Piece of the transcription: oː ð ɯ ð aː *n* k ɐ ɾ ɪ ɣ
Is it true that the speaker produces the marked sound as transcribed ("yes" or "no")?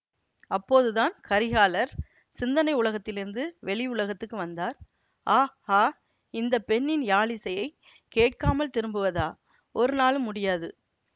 yes